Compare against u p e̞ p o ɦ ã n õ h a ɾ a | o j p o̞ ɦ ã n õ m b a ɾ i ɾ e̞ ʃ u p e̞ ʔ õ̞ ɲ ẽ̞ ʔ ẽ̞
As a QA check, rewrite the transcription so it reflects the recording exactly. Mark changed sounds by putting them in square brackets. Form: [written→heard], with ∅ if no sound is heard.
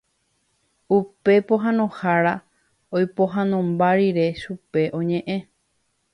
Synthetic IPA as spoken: u p e̞ p o ɦ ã n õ h a ɾ a | o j p o̞ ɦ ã n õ m b a ɾ i ɾ e̞ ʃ u p e̞ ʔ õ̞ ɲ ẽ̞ ʔ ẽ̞